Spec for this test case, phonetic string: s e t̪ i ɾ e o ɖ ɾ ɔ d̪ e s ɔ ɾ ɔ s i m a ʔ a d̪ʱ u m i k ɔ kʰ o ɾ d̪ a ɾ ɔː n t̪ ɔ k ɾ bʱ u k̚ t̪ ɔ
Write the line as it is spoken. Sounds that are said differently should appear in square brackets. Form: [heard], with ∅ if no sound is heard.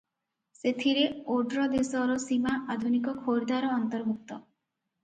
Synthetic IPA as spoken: s e [t̪ʰ] i ɾ e o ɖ ɾ ɔ d̪ e s ɔ ɾ ɔ s i m a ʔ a d̪ʱ u [n] i k ɔ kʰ o ɾ d̪ a ɾ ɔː n t̪ ɔ [∅] ɾ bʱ u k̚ t̪ ɔ